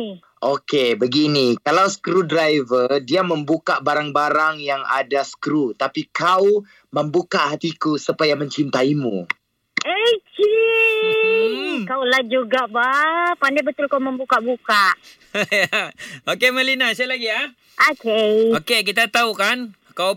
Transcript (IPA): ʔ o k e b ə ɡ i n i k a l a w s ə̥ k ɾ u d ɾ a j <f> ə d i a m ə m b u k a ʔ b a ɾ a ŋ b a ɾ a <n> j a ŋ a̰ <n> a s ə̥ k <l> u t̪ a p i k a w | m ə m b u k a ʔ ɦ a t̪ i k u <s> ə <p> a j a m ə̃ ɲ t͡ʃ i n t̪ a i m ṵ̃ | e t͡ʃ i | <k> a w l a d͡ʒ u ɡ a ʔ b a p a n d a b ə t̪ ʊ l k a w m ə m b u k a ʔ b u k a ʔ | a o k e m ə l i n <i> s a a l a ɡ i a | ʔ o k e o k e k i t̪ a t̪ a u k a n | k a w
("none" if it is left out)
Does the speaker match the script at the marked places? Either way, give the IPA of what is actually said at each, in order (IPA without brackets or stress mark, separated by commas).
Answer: v, ŋ, d, ɾ, s, p, k, a